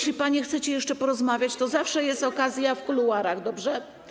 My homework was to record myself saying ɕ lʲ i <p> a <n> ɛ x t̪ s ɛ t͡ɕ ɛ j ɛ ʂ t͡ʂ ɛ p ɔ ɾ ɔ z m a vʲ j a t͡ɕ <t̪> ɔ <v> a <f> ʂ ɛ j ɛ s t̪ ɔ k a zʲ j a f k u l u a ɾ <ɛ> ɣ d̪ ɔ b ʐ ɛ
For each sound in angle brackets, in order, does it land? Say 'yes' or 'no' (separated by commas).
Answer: yes, no, yes, no, yes, no